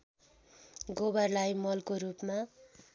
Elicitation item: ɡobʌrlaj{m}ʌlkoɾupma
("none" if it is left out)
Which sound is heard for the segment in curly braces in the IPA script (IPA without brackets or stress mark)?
m